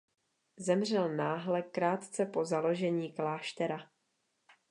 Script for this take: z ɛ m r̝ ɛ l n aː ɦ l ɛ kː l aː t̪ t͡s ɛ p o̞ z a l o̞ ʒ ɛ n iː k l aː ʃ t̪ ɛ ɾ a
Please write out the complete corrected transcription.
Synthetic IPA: z ɛ m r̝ ɛ l n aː ɦ l ɛ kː ɾ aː t̪ t͡s ɛ p o̞ z a l o̞ ʒ ɛ ɲ iː k l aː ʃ t̪ ɛ ɾ a